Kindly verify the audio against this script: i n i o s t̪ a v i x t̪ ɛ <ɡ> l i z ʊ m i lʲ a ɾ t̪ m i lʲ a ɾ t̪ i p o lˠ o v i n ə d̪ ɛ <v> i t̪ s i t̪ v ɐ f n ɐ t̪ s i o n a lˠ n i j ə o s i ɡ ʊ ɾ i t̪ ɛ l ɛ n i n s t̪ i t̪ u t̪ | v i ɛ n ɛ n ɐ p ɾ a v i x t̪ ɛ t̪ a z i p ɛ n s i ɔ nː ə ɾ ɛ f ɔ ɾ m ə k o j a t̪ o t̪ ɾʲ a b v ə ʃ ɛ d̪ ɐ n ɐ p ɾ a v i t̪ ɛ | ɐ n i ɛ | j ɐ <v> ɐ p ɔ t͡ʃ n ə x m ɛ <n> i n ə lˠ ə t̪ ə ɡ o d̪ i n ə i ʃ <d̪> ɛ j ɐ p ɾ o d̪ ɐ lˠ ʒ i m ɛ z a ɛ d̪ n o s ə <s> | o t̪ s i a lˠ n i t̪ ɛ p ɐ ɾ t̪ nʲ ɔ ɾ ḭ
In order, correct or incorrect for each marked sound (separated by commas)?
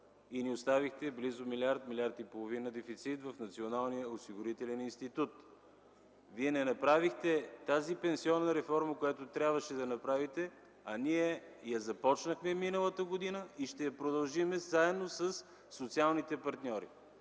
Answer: incorrect, incorrect, incorrect, incorrect, incorrect, incorrect